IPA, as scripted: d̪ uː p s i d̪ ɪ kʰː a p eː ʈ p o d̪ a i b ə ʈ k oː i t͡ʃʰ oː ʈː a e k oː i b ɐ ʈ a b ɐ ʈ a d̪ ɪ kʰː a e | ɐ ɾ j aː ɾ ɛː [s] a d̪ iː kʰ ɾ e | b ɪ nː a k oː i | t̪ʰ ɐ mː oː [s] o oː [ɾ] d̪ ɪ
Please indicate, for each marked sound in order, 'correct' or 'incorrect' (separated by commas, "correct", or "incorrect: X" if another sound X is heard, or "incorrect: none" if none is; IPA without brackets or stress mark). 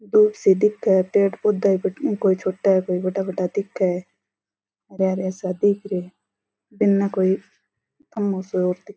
correct, correct, correct